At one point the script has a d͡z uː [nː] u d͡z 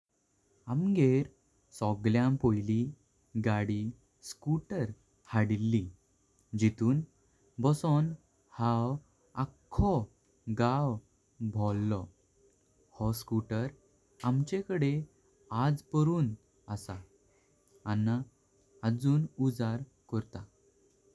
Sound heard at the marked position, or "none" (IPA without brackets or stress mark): n